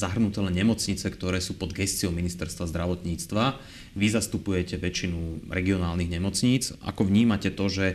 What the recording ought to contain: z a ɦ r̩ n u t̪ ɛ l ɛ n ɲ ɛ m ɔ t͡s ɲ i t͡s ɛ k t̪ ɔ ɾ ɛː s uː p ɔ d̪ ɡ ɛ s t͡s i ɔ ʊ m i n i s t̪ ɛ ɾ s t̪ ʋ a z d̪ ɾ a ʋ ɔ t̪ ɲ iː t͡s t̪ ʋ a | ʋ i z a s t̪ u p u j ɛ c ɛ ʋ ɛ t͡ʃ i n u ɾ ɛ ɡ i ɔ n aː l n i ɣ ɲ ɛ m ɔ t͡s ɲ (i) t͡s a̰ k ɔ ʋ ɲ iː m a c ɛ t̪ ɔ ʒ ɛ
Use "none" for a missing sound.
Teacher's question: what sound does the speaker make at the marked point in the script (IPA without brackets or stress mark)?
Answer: iː